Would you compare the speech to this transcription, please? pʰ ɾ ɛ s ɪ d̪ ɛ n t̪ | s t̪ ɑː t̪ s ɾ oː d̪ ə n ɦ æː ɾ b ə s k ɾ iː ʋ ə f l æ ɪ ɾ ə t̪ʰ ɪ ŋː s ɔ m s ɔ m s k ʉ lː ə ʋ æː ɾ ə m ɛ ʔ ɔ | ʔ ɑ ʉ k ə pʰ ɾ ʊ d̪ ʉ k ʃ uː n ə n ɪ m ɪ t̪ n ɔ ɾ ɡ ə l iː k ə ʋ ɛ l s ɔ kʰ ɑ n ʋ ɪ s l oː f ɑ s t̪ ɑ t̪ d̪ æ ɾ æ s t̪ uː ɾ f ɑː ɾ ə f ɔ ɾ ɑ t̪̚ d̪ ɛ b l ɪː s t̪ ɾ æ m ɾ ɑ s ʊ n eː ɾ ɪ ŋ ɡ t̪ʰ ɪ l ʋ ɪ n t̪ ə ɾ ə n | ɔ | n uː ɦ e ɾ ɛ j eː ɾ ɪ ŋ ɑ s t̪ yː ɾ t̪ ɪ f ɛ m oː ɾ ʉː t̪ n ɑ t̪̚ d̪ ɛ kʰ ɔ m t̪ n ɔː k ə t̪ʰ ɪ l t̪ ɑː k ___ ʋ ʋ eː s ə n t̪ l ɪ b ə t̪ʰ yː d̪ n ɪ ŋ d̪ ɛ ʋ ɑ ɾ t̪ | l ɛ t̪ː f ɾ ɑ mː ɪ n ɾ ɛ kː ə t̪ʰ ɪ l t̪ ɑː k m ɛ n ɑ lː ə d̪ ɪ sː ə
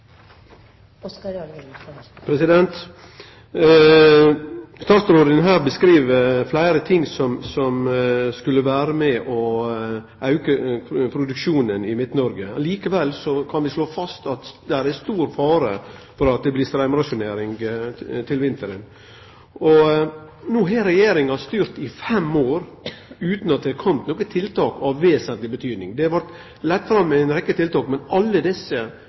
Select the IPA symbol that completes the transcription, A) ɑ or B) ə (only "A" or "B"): A